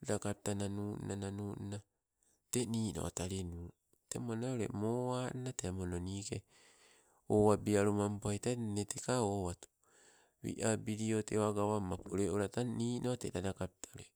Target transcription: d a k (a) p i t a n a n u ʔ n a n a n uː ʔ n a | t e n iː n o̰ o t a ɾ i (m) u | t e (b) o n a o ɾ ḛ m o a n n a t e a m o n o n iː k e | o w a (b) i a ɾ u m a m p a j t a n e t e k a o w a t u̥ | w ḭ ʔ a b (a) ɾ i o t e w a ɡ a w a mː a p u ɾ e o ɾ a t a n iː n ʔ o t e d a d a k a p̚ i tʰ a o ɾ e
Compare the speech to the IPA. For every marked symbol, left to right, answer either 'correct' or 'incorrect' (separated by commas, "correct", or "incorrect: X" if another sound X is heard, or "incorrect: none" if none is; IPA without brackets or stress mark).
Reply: correct, incorrect: n, incorrect: m, correct, incorrect: i